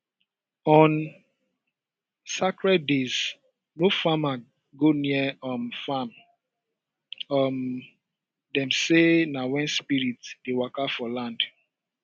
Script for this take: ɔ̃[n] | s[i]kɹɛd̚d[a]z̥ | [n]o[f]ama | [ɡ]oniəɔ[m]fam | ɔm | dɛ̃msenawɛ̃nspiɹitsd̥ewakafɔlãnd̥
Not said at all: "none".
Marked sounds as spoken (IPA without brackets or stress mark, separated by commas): n, a, e, n, f, ɡ, m